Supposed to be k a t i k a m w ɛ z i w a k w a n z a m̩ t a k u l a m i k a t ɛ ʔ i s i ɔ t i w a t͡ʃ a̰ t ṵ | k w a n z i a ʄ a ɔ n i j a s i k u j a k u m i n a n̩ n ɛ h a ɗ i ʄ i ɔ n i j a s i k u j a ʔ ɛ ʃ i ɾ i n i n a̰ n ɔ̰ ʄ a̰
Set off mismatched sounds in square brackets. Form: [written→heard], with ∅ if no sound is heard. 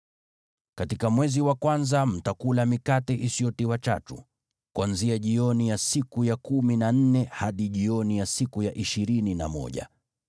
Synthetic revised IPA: k a t i k a m w ɛ z i w a k w a n z a m̩ t a k u l a m i k a t ɛ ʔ i s i ɔ t i w a t͡ʃ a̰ t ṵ | k w a n z i a ʄ [a→i] ɔ n i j a s i k u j a k u m i n a n̩ n ɛ h a ɗ i ʄ i ɔ n i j a s i k u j a ʔ [ɛ→i] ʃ i ɾ i n i n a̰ [n→m] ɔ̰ ʄ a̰